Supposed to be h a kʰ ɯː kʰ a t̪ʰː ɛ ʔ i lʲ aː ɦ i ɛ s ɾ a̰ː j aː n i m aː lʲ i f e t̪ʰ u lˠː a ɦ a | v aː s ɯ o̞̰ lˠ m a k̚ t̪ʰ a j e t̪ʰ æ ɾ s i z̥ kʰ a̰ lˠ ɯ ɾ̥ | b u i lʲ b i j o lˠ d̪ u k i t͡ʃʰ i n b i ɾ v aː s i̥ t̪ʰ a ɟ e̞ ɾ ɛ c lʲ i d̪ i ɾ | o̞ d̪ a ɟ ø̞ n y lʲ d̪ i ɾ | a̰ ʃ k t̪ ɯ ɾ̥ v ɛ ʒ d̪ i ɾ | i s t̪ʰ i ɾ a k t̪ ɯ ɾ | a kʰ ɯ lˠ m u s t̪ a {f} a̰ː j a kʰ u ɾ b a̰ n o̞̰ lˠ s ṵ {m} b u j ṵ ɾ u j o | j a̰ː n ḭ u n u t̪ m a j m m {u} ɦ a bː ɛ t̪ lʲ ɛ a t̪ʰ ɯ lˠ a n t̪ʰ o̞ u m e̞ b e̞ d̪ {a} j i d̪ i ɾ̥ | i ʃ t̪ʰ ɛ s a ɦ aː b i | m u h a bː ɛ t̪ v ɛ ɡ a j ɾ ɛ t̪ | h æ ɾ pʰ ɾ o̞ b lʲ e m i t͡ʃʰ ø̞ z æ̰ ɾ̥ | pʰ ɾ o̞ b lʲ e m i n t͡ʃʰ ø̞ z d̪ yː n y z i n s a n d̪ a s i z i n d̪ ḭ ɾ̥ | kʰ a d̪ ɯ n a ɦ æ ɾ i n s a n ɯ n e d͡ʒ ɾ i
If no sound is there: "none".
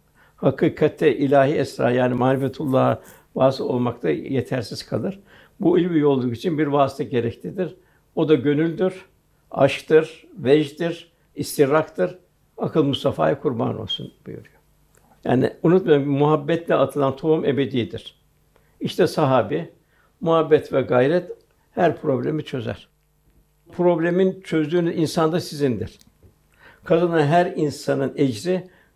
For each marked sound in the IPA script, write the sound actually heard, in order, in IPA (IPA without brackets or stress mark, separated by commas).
f, n, u, i